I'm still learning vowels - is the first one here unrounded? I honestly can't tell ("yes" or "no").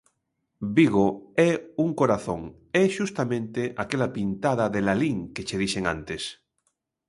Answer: yes